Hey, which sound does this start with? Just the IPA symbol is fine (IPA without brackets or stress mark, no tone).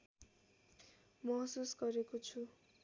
m